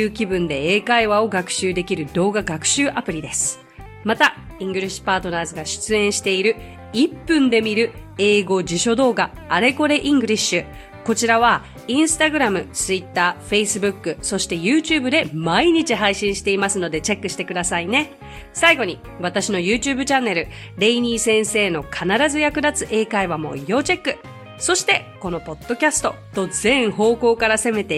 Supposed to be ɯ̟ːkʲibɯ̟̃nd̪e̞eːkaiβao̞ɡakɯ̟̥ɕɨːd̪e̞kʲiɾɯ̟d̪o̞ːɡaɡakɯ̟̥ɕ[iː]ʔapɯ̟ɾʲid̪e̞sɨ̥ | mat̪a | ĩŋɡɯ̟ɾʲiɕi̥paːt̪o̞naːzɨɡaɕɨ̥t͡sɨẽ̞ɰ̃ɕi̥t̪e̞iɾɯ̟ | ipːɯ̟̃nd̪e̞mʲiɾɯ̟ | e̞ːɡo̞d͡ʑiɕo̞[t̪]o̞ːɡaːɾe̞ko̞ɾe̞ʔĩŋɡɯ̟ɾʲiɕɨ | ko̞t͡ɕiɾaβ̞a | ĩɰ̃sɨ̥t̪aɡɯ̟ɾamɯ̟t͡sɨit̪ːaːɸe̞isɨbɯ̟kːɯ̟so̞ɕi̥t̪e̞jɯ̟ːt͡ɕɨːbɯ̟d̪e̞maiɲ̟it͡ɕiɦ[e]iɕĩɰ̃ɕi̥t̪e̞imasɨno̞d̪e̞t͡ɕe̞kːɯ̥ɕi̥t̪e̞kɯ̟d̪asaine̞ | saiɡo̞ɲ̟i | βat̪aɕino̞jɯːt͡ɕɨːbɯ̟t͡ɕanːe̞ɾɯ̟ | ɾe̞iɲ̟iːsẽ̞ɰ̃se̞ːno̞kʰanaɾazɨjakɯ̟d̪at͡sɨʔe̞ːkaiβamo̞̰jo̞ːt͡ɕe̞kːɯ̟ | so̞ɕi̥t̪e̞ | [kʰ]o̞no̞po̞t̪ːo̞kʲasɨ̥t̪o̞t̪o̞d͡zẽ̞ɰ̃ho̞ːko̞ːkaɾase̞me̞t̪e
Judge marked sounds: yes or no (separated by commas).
no, no, no, no